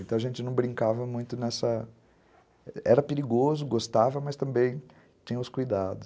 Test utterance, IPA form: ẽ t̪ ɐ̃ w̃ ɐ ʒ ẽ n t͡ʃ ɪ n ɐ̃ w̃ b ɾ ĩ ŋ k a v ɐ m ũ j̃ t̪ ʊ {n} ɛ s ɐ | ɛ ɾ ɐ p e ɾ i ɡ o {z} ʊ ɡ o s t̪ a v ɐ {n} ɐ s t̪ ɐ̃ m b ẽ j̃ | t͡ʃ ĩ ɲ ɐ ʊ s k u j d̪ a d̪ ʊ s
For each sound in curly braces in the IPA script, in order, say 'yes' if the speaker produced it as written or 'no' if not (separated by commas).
yes, yes, no